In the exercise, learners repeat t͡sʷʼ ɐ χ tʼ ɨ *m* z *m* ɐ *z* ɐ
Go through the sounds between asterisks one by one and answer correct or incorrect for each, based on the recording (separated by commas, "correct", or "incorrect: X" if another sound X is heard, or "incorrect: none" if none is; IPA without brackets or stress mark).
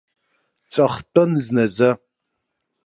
incorrect: n, incorrect: n, correct